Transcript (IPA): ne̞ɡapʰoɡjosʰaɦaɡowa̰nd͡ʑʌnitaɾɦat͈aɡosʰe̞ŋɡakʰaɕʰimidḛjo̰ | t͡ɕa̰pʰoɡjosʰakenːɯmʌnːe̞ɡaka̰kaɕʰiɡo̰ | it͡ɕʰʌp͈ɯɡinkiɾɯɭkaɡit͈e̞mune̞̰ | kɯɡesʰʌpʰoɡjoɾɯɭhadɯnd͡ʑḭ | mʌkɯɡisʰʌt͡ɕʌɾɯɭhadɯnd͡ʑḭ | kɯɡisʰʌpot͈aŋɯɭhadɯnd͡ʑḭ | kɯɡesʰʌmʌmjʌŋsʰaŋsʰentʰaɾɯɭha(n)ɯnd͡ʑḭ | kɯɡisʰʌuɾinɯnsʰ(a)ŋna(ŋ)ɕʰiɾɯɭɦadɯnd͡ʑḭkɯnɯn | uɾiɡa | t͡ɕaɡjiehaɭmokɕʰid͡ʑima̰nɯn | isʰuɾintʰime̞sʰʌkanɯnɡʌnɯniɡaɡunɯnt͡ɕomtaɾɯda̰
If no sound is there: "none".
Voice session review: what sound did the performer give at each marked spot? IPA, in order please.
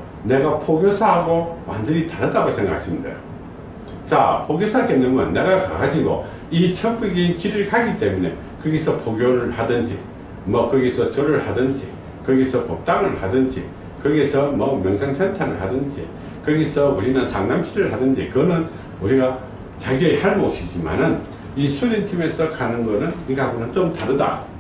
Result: d, a, m

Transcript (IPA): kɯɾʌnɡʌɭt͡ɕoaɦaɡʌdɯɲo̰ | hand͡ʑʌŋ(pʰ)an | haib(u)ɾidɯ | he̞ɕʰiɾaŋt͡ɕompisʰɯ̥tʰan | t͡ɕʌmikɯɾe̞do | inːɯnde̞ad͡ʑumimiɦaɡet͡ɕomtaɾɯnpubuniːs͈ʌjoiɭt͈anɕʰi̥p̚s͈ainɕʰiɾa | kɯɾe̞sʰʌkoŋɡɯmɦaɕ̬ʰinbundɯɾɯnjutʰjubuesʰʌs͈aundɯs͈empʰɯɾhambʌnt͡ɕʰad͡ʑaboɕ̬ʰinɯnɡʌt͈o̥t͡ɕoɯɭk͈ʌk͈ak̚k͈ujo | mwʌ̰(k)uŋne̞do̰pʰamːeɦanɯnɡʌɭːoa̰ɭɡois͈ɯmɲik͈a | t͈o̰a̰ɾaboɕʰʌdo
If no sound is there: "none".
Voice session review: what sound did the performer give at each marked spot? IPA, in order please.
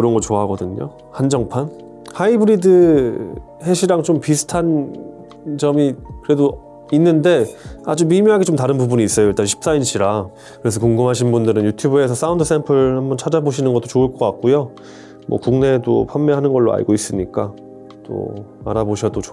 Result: pʰ, ɯ, k

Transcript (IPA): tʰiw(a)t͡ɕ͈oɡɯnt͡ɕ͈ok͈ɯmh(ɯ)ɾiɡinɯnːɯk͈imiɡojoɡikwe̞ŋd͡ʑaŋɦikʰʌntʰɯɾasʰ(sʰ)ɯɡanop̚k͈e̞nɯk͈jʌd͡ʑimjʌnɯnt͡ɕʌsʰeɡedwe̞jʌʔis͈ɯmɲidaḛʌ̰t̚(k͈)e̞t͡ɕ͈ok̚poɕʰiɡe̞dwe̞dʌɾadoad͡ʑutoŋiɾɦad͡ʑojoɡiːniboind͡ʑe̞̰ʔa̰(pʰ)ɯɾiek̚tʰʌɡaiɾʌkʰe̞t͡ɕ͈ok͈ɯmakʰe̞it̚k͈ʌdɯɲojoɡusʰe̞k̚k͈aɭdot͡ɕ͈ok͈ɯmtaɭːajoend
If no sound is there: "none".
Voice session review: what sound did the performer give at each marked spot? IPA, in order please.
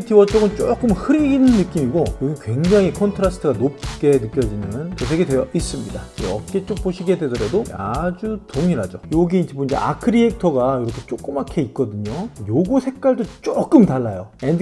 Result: ʌ, ɯ, tʰ, k͈, kʰ

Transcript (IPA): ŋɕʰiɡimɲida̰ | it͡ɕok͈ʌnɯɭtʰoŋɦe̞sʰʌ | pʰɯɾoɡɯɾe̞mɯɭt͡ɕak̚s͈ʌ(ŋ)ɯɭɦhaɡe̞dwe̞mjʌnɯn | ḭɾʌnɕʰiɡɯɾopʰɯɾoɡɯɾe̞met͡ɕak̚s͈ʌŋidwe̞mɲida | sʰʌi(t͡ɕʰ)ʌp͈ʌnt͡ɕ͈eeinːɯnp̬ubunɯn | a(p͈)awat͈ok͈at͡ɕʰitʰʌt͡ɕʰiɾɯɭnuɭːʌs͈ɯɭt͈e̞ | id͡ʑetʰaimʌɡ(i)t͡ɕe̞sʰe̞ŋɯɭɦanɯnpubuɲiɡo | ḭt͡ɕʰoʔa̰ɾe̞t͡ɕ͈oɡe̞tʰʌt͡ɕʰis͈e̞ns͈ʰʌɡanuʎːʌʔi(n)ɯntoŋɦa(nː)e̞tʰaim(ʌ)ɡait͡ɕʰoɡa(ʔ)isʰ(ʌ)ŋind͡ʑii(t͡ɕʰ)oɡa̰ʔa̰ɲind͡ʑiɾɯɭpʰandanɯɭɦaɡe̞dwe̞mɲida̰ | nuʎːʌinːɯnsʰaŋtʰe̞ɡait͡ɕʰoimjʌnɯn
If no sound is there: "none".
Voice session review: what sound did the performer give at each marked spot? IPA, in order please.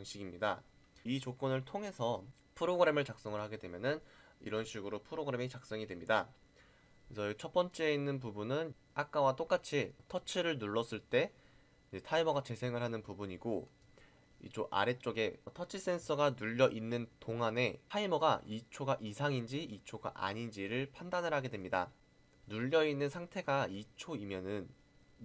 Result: ŋ, t͡ɕʰ, k͈, a, nː, n, ʌ, ʔ, a, t͡ɕʰ

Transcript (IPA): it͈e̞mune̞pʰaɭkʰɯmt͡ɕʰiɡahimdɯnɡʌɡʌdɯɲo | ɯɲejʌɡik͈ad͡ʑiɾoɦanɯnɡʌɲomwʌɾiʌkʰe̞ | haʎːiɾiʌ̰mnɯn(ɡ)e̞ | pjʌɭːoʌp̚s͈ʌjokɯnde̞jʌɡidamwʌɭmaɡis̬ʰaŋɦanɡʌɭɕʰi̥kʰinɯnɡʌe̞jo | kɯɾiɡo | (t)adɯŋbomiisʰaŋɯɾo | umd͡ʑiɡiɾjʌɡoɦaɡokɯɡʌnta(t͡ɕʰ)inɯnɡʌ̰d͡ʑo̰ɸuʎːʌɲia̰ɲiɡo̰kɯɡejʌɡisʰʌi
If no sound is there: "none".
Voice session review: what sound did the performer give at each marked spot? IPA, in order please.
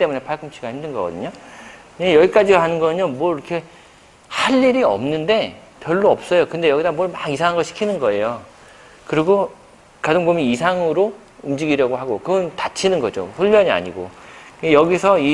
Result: d, k, t͡ɕʰ

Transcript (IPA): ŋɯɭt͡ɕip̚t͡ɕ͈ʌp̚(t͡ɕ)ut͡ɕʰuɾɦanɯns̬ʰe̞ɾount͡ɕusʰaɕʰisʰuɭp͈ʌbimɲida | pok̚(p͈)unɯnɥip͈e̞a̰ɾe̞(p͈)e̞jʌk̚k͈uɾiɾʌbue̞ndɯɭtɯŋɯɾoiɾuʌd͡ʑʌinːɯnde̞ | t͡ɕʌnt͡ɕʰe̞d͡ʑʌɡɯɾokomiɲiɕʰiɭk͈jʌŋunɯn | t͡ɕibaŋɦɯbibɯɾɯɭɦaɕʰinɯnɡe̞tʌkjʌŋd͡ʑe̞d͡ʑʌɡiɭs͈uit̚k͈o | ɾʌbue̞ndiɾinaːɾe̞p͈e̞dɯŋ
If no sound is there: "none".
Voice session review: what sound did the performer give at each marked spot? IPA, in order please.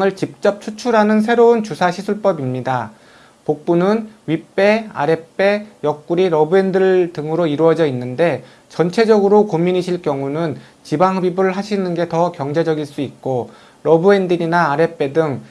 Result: t͡ɕʰ, p͈, p͈

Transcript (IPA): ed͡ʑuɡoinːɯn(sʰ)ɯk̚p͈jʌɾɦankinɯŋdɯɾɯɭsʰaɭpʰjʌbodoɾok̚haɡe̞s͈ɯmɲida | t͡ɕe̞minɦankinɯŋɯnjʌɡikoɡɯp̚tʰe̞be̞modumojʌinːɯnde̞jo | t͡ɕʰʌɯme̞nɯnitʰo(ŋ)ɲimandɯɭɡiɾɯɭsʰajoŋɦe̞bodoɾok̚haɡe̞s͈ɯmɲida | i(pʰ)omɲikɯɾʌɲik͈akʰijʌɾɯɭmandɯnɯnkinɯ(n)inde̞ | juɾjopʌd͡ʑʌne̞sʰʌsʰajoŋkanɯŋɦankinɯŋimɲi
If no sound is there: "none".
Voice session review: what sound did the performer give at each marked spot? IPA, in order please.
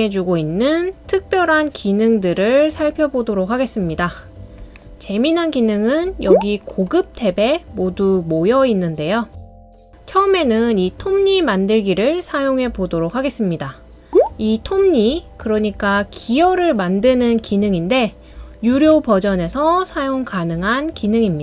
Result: tʰ, m, tʰ, ŋ

